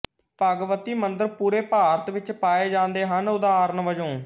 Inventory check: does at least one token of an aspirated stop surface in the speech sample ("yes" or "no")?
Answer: no